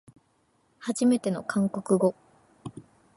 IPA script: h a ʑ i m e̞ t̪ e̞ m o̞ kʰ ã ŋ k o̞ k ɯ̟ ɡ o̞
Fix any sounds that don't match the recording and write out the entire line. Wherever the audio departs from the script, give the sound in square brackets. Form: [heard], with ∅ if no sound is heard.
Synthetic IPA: h a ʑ i m e̞ t̪ e̞ [n] o̞ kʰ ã ŋ k o̞ k ɯ̟ ɡ o̞